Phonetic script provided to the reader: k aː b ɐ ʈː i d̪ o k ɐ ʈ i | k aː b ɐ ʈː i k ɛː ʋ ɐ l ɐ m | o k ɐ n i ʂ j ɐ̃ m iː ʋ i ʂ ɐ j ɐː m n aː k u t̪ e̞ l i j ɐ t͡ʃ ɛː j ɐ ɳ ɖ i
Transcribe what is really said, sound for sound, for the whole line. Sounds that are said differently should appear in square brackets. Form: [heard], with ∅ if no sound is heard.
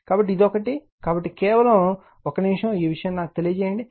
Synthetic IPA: k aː b ɐ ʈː i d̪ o k ɐ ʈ i | k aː b ɐ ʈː i k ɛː ʋ ɐ l ɐ m | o k ɐ n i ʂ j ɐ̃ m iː ʋ i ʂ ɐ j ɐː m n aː k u t̪ e̞ l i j ɐ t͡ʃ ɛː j ɐ ɳ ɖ i